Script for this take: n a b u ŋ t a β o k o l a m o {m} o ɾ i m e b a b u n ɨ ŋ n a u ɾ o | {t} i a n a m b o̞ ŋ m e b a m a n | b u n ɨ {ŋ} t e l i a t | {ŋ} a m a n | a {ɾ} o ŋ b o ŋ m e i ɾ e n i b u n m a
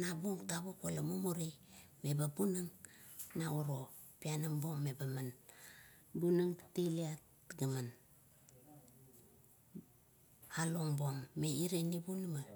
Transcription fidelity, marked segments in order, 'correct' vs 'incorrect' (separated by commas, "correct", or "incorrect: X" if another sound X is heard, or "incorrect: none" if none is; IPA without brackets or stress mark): correct, incorrect: p, correct, incorrect: ɡ, incorrect: l